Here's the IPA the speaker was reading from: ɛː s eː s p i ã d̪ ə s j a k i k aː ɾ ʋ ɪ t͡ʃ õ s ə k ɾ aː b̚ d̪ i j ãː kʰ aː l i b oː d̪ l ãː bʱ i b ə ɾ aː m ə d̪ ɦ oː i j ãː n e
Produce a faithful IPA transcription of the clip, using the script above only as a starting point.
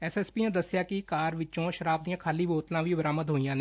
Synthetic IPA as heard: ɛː s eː s p i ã d̪ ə s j a k i k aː ɾ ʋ ɪ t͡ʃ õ ʃ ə ɾ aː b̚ d̪ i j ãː kʰ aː l i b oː t̪ l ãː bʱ i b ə ɾ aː m ə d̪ ɦ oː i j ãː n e